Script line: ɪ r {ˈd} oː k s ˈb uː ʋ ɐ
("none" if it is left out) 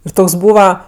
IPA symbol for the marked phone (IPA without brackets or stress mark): t